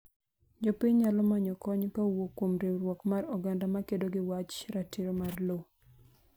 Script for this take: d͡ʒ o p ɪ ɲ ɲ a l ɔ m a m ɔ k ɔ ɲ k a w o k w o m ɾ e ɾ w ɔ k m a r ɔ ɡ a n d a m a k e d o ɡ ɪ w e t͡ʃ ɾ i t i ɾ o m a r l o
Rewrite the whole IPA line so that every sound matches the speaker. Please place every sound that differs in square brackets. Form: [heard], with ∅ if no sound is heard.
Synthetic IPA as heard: d͡ʒ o p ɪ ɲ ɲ a l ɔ m a [ɲ] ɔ k ɔ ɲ k a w o k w o m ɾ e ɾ w ɔ k m a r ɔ ɡ a n d a m a k e d o ɡ ɪ w [a] t͡ʃ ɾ [a] t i ɾ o m a r l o